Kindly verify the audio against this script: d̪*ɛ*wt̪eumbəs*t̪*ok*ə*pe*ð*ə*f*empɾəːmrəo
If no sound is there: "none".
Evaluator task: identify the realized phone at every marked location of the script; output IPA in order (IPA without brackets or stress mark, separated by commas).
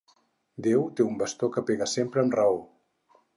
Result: e, t̪, ə, ɣ, s